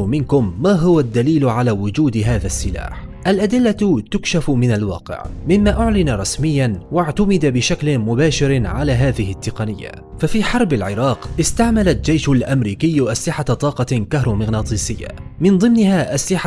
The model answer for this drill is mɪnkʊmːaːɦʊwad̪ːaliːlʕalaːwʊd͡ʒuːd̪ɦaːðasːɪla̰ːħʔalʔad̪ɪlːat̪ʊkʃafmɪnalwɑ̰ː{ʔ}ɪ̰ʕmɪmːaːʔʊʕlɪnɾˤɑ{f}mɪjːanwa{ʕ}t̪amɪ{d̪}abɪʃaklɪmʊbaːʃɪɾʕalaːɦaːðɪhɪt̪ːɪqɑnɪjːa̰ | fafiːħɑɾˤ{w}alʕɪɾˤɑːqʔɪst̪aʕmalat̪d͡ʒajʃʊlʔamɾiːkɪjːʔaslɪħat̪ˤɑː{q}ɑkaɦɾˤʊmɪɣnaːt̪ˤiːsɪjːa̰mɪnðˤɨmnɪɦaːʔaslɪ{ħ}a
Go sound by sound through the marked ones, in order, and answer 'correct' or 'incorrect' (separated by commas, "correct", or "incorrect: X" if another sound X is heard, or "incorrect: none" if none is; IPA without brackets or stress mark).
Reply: incorrect: q, incorrect: s, correct, correct, incorrect: b, correct, correct